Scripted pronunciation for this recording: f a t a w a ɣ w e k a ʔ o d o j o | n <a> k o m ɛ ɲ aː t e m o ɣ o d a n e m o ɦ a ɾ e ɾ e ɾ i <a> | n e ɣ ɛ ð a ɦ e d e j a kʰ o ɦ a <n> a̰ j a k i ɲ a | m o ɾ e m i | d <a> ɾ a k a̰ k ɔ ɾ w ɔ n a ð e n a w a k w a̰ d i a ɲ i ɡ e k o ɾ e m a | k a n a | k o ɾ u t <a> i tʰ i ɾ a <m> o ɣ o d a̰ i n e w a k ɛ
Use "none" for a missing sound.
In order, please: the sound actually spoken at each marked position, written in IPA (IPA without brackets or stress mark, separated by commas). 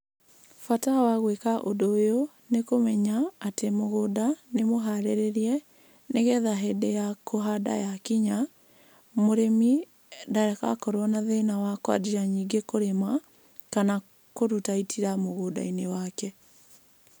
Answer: e, ɛ, d, a, a, m